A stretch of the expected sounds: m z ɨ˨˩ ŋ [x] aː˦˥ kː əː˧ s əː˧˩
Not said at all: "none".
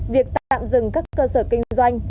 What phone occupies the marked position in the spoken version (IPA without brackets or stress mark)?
k